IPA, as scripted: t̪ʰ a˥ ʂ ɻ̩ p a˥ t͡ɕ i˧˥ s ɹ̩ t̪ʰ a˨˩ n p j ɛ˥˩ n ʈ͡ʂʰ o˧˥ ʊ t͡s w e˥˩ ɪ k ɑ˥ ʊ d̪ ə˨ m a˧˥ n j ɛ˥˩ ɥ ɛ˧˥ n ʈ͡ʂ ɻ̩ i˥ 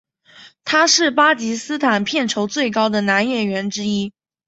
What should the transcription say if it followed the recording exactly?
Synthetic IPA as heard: t̪ʰ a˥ ʂ ɻ̩ p a˥ t͡ɕ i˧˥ s ɹ̩ t̪ʰ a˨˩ n pʰ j ɛ˥˩ n ʈ͡ʂʰ o˧˥ ʊ t͡s w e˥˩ ɪ k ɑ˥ ʊ d̪ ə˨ n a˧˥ n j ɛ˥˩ ɥ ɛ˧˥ n ʈ͡ʂ ɻ̩ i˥